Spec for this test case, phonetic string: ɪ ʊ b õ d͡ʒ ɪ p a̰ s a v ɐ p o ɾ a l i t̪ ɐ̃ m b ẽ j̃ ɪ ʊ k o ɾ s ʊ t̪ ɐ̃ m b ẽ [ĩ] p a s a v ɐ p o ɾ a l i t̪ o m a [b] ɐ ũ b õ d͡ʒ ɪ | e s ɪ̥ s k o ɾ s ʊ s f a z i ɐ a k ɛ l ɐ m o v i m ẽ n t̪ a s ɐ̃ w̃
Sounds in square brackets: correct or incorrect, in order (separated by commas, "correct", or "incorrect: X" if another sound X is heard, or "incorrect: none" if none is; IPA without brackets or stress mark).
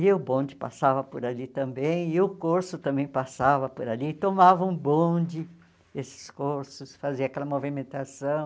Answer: incorrect: j̃, incorrect: v